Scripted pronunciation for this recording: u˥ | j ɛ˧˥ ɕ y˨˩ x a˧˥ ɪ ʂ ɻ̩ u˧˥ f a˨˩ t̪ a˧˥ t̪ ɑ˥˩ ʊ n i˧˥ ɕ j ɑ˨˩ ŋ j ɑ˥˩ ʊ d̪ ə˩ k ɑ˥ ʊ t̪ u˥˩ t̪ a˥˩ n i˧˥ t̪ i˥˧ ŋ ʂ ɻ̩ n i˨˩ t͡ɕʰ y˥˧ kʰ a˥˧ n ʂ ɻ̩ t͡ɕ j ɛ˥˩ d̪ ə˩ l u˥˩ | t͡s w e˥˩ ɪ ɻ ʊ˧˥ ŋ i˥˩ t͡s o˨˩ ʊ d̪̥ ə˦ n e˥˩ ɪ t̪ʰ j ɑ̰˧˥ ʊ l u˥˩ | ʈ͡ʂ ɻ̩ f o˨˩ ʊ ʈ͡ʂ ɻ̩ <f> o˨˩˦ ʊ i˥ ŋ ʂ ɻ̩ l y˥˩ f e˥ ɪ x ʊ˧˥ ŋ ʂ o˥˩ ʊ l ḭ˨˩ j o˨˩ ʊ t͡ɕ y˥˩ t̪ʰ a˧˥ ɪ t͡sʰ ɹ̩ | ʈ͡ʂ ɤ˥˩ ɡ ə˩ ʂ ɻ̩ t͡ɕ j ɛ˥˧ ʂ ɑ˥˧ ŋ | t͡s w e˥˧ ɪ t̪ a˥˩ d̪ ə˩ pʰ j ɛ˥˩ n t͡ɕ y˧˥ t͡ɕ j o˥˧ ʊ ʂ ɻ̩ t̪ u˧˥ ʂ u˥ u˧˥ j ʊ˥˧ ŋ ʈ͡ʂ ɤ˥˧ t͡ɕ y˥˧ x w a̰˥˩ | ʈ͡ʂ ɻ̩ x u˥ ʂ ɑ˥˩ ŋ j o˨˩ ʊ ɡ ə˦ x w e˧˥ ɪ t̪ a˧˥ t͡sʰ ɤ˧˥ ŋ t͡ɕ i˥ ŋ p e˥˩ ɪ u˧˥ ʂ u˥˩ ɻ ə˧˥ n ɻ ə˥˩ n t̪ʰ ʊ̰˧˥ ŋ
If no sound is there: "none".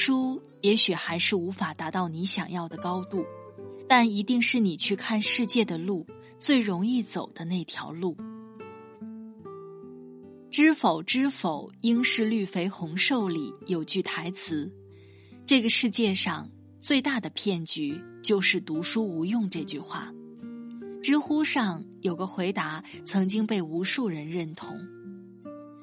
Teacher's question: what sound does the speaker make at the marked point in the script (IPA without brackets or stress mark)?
f